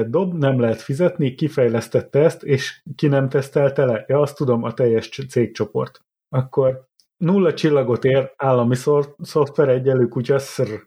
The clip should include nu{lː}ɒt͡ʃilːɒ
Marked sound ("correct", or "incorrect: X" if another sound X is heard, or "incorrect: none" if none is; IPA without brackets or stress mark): correct